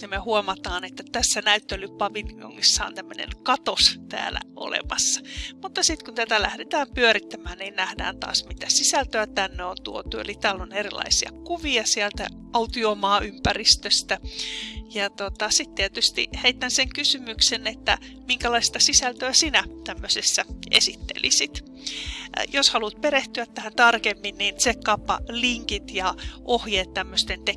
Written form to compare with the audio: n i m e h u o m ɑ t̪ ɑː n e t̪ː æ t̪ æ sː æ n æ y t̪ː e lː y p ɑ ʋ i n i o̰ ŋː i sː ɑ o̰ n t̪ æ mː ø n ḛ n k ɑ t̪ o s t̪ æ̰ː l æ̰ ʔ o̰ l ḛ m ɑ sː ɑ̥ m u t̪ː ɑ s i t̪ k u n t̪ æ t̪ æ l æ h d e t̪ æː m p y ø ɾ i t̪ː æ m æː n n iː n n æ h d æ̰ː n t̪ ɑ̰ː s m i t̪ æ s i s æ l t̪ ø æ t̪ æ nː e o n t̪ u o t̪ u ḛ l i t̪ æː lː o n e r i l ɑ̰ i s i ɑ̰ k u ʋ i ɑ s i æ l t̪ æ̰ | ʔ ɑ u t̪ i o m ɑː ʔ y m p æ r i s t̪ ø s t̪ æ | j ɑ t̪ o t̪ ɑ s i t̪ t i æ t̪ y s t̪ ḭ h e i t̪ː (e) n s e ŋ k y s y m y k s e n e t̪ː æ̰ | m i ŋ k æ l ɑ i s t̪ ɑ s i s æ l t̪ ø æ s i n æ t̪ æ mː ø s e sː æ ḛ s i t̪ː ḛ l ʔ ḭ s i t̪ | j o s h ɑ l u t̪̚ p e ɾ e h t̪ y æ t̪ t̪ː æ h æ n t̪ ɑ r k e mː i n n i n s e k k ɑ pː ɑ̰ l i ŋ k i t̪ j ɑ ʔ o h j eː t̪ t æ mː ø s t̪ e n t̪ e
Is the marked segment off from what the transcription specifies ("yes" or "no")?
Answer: yes